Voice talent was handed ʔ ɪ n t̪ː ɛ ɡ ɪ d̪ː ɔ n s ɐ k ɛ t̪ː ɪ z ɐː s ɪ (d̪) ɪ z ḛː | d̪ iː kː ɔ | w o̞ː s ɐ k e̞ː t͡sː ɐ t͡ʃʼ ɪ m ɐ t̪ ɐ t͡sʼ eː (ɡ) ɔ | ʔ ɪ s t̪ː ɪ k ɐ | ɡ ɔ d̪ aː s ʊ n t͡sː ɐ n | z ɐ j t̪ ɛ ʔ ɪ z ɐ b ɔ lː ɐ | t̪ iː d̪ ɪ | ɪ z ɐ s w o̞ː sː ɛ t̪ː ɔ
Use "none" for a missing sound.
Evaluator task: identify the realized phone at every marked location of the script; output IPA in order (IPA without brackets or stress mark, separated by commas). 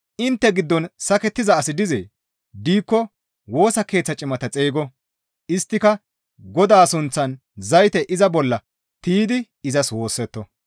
d̪, ɡ